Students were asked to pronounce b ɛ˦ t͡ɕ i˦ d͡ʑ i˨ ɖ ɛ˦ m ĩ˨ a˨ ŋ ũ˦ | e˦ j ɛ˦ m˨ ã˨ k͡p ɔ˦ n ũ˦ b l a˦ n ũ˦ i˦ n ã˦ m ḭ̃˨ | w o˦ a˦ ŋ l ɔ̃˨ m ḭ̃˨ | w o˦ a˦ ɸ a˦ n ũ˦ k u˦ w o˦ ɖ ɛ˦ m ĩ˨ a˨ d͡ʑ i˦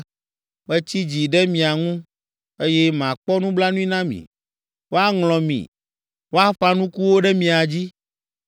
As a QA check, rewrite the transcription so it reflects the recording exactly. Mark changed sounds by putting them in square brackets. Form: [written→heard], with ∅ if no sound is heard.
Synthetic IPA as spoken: b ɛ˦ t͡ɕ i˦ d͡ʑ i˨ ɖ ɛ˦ m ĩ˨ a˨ ŋ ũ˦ | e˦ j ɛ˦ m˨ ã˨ k͡p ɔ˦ n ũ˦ b l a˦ n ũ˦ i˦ n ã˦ m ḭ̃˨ | w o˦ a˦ ŋ l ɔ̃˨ m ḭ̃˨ | w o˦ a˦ ɸ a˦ n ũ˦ k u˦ w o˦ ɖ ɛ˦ m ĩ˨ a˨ d͡ʑ i˦